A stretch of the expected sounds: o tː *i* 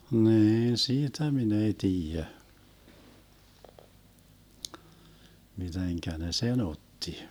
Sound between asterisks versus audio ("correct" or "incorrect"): correct